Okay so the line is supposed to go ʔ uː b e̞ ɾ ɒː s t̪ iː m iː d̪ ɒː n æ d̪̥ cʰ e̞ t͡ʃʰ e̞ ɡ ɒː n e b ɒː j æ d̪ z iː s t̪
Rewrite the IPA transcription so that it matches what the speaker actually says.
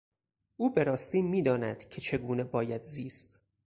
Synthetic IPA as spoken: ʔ uː b e̞ ɾ ɒː s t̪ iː m iː d̪ ɒː n æ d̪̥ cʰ e̞ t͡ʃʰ e̞ ɡ uː n e b ɒː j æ d̪ z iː s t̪